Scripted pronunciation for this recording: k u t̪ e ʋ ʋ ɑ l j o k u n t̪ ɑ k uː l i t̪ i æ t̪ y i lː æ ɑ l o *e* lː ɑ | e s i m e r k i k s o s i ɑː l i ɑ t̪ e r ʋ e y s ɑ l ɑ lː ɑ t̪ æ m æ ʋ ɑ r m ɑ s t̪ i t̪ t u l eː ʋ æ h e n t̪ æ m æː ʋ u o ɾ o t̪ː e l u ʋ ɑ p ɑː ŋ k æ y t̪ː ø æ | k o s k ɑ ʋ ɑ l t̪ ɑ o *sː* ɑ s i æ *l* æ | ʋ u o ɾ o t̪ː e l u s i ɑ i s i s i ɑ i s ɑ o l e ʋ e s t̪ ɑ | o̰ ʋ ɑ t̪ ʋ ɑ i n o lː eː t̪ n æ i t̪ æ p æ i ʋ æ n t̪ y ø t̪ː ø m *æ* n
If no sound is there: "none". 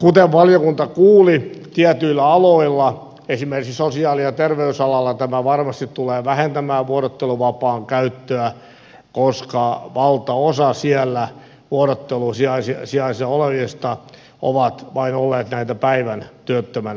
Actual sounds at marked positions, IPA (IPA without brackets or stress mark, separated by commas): i, s, lː, æ